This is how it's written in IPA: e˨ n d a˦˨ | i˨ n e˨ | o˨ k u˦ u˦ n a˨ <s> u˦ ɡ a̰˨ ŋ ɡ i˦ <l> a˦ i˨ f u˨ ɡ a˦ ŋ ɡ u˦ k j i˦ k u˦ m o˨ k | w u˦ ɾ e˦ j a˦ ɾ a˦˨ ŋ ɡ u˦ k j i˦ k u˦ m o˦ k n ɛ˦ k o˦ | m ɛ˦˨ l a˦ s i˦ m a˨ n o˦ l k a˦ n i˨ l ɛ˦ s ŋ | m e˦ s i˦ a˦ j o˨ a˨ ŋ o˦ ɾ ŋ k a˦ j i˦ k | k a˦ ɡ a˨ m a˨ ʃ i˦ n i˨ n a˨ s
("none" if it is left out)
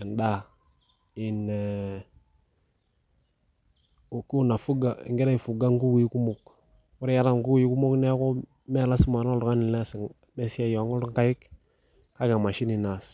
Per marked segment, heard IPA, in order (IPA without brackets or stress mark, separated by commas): f, ɾ